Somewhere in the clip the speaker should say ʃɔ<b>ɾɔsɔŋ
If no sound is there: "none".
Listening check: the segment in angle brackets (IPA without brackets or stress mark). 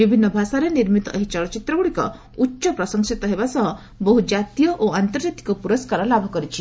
p